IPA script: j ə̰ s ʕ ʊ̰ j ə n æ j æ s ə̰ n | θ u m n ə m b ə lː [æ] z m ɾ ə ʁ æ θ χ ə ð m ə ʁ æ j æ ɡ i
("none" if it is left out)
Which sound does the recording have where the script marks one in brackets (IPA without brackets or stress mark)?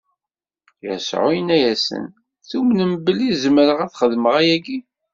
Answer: i